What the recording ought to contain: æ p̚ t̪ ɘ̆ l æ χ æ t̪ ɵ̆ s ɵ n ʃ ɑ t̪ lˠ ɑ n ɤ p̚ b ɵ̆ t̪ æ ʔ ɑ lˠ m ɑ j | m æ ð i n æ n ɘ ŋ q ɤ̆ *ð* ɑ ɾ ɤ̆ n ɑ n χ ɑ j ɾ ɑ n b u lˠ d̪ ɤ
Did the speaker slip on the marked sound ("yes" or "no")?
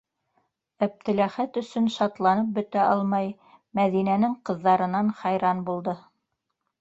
yes